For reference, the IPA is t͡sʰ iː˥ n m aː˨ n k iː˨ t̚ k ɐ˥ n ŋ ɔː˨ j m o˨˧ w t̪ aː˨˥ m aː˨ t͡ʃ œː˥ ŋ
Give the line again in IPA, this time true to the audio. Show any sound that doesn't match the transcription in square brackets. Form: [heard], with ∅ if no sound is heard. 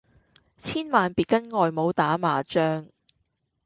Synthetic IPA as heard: t͡sʰ iː˥ n m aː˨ n [p] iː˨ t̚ k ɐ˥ n ŋ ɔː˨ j m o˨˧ w t̪ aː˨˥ m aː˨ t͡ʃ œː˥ ŋ